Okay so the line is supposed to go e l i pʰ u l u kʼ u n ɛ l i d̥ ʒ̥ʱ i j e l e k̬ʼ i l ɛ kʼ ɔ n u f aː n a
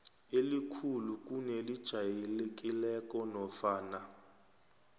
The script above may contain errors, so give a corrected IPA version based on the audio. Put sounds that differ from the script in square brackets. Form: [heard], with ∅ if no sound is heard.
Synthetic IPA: e l i [kʰ] u l u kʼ u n ɛ l i d̥ ʒ̥ʱ [a] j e l e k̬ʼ i l ɛ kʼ ɔ n [ɔ] f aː n a

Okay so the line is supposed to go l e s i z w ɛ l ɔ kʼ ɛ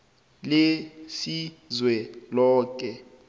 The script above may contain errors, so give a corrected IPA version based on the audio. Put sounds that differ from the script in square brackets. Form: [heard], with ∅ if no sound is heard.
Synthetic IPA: l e s i z w ɛ l [ɔː] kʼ ɛ

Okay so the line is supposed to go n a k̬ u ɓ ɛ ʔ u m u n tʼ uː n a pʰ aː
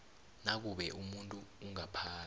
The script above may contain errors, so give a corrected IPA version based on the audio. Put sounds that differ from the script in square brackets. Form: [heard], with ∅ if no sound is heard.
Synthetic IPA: n a k̬ u ɓ ɛ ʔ u m u n tʼ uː [ŋ] a pʰ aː

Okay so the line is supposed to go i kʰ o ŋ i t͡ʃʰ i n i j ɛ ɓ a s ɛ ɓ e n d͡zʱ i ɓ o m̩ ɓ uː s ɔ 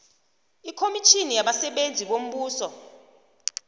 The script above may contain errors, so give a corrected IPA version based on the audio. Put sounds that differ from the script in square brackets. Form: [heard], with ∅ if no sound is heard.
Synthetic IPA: i kʰ o [m] i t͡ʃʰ i n i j [a] ɓ a s ɛ ɓ e n d͡zʱ i ɓ o m̩ ɓ uː s ɔ

